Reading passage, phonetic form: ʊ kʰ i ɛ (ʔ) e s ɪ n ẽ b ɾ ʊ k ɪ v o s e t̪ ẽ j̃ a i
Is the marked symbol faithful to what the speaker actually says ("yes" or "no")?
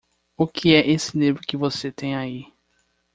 yes